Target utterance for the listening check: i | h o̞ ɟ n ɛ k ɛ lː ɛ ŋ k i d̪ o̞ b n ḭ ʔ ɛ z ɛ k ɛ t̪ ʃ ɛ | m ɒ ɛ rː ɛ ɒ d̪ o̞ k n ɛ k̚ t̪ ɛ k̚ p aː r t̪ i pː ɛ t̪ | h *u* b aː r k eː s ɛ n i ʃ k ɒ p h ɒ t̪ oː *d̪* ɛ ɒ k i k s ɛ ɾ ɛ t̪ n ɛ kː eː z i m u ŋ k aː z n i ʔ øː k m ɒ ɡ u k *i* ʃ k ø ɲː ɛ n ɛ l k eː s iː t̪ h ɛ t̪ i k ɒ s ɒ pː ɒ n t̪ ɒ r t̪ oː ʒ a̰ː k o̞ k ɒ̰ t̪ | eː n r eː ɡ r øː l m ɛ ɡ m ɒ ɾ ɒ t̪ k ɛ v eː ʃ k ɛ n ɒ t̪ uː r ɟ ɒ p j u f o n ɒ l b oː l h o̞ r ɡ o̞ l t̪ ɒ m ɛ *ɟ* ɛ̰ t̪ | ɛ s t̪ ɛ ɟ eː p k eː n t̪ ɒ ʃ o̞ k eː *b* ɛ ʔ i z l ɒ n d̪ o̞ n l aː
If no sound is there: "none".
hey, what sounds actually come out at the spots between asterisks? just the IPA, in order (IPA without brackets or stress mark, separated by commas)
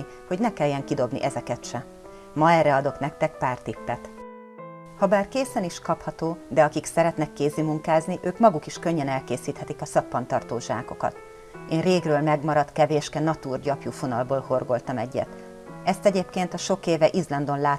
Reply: ɒ, d̪, i, ɟː, v